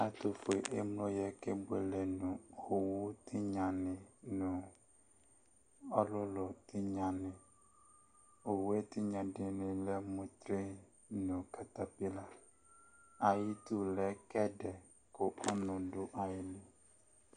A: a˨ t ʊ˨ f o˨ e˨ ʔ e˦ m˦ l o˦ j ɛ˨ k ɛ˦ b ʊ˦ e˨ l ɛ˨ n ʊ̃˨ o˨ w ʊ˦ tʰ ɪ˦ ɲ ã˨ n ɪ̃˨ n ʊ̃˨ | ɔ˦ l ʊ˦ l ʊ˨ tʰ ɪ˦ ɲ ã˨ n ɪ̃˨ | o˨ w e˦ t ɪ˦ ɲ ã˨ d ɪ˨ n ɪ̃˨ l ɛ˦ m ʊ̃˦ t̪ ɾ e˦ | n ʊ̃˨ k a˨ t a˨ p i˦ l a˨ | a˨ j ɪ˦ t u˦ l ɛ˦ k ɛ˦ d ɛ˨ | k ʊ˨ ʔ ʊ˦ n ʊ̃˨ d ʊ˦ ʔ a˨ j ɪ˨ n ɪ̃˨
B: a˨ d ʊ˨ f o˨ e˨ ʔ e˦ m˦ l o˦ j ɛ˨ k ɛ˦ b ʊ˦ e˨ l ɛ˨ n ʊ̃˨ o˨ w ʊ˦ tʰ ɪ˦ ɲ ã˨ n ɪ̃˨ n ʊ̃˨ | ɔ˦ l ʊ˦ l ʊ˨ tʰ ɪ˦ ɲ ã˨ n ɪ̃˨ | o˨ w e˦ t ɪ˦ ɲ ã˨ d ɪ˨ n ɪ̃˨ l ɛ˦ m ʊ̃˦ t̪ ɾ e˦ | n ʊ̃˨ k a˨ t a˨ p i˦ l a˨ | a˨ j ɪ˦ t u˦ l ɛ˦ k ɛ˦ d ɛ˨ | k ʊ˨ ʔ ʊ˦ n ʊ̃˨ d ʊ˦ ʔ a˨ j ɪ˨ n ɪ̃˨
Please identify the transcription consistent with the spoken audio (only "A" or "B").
A